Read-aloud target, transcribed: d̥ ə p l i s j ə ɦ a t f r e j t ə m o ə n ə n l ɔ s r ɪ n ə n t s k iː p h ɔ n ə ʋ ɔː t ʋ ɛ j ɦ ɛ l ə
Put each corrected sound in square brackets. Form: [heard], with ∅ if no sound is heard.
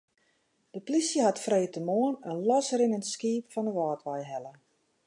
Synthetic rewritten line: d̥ ə p l i s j ə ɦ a t f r e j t ə m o ə n ə n l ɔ s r ɪ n ə n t s k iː p [f] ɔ n ə ʋ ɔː t ʋ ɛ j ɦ ɛ l ə